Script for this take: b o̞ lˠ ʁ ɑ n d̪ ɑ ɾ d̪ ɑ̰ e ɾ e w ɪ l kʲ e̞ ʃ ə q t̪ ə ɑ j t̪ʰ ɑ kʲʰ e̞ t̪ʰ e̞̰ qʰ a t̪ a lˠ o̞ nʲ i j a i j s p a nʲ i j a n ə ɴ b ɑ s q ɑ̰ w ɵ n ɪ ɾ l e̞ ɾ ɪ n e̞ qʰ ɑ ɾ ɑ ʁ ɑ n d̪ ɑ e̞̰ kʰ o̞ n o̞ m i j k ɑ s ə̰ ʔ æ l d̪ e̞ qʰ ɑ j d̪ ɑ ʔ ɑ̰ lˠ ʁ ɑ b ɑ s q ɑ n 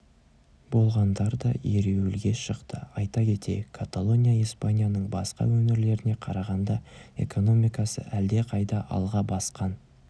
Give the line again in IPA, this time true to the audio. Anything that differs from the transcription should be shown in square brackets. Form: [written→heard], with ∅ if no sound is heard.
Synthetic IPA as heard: b o̞ lˠ ʁ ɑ n d̪ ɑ ɾ d̪ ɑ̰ e ɾ e w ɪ l [kʲ→ɡʲ] e̞ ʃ ə q t̪ ə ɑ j [t̪ʰ→t̪] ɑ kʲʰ e̞ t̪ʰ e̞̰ [qʰ→kʰ] a t̪ a lˠ o̞ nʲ i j a i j s p a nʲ i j a n ə ɴ b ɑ s q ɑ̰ w ɵ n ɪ ɾ l e̞ ɾ ɪ n e̞ qʰ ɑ ɾ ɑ ʁ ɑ n d̪ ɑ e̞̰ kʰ o̞ n o̞ m i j k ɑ s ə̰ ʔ æ l d̪ e̞ qʰ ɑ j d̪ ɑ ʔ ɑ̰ lˠ ʁ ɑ b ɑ s q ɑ n